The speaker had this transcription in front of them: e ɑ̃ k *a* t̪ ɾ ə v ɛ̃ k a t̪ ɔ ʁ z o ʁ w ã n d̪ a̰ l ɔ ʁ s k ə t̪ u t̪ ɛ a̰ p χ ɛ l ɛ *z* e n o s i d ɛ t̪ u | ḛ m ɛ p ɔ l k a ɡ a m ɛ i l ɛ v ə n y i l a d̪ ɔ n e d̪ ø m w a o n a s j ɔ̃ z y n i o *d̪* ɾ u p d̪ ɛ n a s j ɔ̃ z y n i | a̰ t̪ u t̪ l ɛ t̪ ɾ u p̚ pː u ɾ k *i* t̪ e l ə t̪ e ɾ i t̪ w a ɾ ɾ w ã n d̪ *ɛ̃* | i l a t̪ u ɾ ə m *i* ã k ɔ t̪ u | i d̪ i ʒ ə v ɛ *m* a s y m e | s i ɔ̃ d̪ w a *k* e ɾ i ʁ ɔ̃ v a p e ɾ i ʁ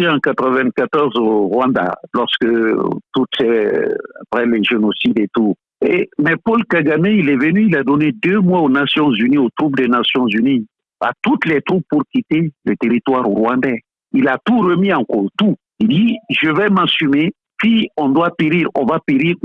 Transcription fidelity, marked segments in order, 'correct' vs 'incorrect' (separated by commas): correct, incorrect, incorrect, correct, incorrect, correct, correct, incorrect